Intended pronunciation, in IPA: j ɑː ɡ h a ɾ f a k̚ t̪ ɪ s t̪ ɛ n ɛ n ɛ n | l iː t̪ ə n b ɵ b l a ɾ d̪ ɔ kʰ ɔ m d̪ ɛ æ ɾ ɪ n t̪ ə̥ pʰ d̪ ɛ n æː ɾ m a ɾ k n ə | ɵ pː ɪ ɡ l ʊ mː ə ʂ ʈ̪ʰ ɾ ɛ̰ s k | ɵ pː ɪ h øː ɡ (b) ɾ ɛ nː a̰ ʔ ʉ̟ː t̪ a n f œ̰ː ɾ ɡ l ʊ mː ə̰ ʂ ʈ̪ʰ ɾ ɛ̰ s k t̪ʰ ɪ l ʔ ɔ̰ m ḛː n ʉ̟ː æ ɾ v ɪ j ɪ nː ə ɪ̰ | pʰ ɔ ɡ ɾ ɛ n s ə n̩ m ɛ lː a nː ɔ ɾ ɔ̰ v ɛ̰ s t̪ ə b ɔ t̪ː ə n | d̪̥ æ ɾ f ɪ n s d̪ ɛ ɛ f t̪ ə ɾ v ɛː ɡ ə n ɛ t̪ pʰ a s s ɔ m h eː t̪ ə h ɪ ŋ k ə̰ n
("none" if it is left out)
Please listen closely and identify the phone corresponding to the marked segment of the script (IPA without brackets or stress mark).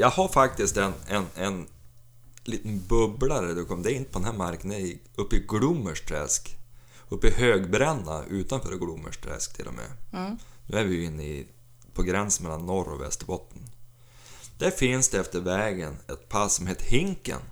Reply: b